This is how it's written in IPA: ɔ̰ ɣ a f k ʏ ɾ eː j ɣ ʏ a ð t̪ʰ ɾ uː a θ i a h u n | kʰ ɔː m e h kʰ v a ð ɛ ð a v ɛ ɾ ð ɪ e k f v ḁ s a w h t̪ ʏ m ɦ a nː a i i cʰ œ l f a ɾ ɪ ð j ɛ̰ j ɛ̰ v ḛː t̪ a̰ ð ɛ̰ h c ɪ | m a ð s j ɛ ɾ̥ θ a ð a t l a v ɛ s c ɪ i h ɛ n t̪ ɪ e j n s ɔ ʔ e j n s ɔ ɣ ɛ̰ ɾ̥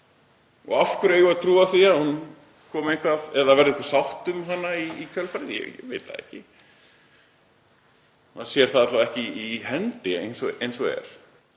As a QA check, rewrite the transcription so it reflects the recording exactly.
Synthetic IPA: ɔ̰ ɣ a f k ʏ ɾ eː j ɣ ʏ a ð t̪ʰ ɾ uː a θ i a h u n | kʰ ɔː m e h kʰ v a ð ɛ ð a v ɛ ɾ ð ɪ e k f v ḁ s a w h t̪ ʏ m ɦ a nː a i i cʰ œ l f a ɾ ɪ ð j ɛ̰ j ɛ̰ v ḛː t̪ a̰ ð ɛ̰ h c ɪ | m a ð s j ɛ ɾ̥ θ a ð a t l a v ɛ h c ɪ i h ɛ n t̪ ɪ e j n s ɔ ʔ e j n s ɔ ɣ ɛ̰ ɾ̥